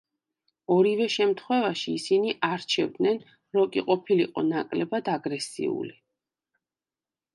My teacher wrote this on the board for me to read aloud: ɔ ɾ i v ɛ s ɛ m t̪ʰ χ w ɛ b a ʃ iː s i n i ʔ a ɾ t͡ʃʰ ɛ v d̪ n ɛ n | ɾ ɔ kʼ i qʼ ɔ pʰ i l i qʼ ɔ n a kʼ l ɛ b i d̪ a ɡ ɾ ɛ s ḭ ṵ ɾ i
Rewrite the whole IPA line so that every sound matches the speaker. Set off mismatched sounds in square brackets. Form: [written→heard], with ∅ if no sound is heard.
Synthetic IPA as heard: ɔ ɾ i v ɛ [s→ʃ] ɛ m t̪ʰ χ w ɛ [b→v] a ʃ iː s i n i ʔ a ɾ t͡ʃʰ ɛ v d̪ n ɛ n | ɾ ɔ kʼ i qʼ ɔ pʰ i l i qʼ ɔ n a kʼ l ɛ b [i→a] d̪ a ɡ ɾ ɛ s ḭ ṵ [ɾ→l] i